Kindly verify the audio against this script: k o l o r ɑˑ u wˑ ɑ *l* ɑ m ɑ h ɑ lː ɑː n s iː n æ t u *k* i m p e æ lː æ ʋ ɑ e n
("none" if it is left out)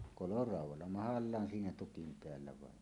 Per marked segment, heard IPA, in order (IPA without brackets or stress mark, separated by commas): lː, k